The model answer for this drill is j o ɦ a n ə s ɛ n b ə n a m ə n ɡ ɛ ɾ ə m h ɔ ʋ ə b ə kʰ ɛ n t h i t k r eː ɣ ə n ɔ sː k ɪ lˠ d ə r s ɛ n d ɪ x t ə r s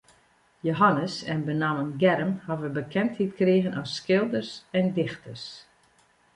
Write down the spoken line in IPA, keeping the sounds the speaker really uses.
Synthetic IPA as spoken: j o ɦ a n ə s ɛ n b ə n a m ə n ɡ ɛ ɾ ə m h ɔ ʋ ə b ə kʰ ɛ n t h i t k r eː ɣ ə n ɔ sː k ɪ lˠ d ə r s ɛ n d ɪ x t ə r s